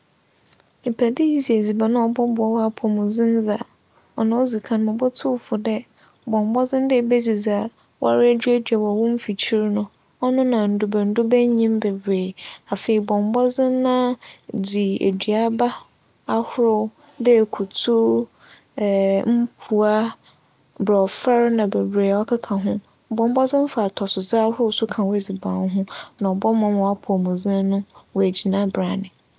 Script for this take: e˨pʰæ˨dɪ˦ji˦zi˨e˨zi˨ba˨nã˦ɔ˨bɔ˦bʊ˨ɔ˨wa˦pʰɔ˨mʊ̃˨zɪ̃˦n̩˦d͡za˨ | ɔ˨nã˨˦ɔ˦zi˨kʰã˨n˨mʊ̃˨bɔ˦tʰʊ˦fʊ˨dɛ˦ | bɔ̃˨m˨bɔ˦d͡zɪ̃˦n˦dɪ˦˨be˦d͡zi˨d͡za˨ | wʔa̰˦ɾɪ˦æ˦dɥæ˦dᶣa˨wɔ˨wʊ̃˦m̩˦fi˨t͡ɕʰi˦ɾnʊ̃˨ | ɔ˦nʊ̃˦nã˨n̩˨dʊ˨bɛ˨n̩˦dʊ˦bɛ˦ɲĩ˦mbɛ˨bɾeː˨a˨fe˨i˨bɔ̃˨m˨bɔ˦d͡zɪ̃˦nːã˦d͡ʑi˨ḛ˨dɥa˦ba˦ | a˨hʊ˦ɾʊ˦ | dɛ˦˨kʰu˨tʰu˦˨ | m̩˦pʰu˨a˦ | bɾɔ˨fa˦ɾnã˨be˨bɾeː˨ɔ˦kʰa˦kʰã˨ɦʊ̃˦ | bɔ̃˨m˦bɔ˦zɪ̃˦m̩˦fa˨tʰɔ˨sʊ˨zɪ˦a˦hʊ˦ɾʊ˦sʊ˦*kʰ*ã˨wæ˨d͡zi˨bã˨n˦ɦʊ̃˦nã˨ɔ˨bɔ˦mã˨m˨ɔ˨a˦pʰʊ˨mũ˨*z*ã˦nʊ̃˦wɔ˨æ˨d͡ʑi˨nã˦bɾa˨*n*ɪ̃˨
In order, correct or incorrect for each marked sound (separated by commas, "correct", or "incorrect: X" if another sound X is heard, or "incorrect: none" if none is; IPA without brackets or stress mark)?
correct, correct, correct